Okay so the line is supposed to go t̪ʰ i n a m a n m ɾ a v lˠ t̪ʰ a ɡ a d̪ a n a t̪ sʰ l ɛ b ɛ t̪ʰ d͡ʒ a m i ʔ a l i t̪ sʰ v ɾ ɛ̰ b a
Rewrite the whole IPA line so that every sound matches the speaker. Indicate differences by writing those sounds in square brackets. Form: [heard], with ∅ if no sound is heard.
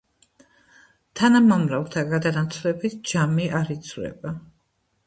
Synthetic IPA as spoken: t̪ʰ [a] n a m a [∅] m ɾ a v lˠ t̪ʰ a ɡ a d̪ a n a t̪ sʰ l ɛ b [i] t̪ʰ d͡ʒ a m i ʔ a [ɾ] i t̪ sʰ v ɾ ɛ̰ b a